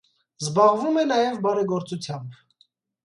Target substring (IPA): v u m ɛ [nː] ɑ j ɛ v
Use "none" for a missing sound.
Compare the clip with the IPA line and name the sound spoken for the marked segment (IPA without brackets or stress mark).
n